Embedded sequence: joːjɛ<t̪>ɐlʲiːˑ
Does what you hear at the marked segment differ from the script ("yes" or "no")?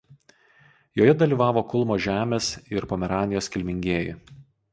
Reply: yes